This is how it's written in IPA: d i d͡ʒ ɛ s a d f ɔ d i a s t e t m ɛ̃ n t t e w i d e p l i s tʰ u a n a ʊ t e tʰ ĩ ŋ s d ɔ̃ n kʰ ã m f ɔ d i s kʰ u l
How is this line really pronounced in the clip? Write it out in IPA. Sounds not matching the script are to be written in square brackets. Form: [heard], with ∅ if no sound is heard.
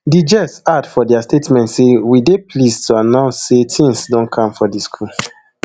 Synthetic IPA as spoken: d i d͡ʒ ɛ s a d f ɔ d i a s t e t m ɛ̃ n t [s] e w i d e p l i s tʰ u a n a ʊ [s] e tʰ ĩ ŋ s d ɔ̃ n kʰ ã m f ɔ d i s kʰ u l